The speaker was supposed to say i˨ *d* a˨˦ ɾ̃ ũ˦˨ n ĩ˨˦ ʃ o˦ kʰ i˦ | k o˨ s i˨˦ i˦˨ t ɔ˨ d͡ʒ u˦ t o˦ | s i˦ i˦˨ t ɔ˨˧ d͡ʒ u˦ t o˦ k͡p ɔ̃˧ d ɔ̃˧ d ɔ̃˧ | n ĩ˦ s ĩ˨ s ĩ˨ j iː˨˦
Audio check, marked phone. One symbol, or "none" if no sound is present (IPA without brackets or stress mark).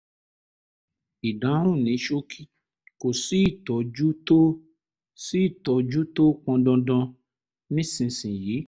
d